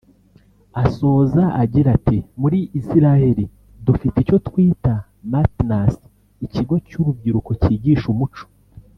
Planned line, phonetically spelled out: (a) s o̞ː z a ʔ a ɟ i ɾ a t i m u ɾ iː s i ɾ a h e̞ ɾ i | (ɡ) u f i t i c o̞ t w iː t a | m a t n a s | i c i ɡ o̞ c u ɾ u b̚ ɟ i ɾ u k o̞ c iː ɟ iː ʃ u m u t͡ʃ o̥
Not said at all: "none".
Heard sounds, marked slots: a, d

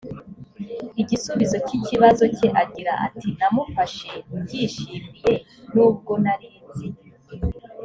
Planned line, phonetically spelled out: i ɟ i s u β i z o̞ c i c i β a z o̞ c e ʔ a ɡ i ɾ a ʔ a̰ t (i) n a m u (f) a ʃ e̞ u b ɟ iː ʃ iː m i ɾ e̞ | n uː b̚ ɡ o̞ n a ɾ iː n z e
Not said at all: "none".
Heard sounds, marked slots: i, f

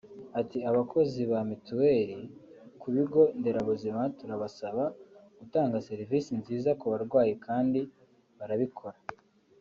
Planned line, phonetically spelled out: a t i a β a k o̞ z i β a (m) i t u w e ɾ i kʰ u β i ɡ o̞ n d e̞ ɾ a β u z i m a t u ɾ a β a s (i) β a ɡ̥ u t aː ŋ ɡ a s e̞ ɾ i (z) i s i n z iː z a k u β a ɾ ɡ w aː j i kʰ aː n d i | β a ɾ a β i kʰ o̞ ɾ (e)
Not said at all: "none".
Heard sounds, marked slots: m, a, v, a

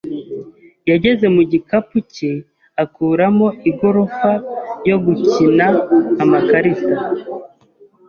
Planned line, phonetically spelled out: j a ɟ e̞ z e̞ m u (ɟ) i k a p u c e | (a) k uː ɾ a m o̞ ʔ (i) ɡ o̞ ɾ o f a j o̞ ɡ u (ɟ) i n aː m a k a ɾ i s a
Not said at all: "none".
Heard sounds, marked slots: ɟ, a, i, c

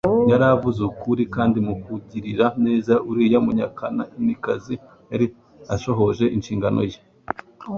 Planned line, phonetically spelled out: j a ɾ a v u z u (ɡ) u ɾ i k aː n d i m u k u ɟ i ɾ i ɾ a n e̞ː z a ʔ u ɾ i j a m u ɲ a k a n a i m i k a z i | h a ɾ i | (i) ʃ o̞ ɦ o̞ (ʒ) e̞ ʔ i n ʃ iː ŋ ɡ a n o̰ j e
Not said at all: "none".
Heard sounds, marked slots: k, a, ʒ

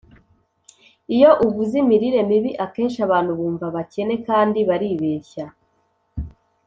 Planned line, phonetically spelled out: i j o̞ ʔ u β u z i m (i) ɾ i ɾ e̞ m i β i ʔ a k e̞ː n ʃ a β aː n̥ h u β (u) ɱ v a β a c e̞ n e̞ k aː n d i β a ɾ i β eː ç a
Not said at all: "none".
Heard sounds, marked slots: i, uː

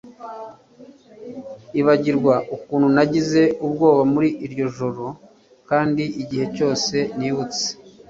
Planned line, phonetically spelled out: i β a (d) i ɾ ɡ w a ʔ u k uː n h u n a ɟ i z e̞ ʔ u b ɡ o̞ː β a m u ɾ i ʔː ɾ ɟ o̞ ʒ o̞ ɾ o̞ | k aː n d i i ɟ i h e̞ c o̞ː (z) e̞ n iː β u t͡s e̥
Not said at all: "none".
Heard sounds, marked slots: ɟ, s

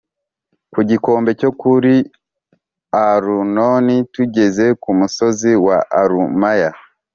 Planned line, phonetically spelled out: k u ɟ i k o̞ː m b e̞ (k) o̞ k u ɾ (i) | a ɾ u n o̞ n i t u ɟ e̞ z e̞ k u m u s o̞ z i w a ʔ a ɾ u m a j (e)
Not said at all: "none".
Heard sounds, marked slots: c, i, a

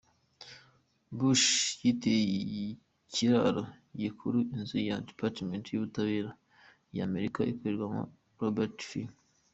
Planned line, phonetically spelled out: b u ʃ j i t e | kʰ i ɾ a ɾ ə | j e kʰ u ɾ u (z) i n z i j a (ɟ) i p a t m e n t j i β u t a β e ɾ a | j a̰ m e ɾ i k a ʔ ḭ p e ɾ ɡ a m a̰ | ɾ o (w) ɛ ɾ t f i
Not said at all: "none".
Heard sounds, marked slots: none, d, b

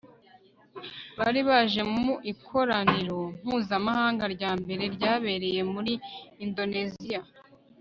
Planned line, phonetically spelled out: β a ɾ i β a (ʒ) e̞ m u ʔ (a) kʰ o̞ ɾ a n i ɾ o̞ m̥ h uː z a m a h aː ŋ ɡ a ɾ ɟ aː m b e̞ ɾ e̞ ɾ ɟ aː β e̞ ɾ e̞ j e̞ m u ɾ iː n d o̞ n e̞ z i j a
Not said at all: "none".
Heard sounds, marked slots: ʒ, i

